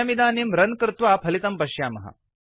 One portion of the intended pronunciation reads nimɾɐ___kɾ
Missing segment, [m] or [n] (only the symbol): n